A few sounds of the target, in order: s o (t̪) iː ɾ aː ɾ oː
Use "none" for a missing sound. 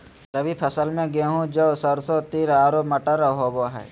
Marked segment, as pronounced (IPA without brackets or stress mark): t̪